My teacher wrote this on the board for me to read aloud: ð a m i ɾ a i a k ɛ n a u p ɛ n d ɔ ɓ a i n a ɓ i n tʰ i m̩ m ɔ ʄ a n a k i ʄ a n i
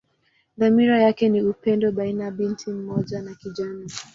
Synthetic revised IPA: ð a m i ɾ a j a k ɛ n i u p ɛ n d ɔ ɓ a i n a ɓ i n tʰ i m̩ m ɔ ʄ a n a k i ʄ a n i